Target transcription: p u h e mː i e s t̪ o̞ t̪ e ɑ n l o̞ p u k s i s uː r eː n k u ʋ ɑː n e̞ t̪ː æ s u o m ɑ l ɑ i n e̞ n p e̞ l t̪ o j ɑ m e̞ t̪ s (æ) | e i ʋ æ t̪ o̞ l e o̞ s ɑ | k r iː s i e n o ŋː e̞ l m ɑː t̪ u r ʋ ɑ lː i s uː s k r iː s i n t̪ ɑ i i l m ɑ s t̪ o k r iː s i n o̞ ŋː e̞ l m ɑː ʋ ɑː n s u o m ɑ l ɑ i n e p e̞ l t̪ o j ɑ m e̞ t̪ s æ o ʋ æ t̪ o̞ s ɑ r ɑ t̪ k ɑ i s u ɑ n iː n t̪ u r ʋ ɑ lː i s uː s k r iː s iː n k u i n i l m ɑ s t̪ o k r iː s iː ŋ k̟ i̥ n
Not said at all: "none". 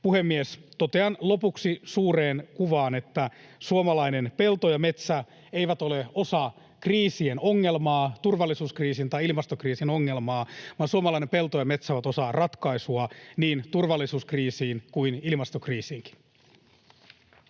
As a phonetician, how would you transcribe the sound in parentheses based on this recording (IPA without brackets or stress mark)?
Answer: æ